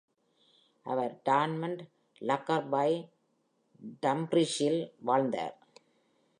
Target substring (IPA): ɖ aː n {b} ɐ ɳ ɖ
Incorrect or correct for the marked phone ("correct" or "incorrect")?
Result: incorrect